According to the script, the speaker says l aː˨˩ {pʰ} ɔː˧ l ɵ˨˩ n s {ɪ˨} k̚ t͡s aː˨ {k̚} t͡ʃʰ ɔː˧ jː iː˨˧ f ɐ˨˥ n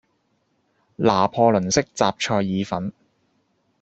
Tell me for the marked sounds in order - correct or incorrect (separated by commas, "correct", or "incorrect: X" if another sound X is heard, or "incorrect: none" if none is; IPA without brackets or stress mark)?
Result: correct, incorrect: ɪ˥, incorrect: p̚